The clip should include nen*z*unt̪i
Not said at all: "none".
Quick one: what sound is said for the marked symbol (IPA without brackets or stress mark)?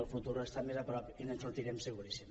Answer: s